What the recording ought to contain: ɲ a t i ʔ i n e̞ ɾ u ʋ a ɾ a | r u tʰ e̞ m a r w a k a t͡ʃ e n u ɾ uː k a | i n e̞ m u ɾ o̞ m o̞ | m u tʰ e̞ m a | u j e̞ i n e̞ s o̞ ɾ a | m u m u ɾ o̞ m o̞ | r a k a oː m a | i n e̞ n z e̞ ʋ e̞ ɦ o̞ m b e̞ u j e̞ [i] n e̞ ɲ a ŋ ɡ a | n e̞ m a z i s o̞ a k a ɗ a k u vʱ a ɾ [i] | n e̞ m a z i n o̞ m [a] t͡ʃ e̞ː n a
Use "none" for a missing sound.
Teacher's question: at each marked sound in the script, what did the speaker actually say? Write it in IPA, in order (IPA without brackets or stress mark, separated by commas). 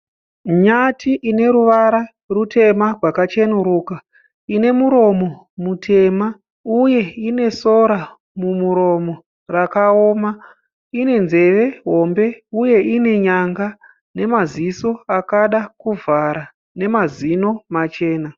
i, a, a